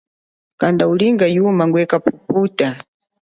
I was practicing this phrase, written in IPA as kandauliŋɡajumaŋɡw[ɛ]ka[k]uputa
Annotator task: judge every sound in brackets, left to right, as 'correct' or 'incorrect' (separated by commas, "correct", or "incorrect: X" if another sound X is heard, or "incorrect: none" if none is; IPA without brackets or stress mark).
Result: correct, incorrect: p